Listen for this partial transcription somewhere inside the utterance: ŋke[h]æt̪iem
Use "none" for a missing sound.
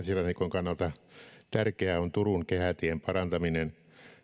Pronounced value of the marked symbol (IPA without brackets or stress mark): h